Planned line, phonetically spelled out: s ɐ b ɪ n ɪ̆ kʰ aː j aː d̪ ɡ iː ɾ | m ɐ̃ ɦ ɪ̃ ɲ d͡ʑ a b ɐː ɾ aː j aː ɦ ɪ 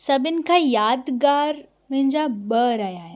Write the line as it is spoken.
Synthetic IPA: s ɐ b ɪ n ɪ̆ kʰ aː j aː d̪ ɡ aː ɾ | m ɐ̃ ɦ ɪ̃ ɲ d͡ʑ a b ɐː ɾ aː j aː ɦ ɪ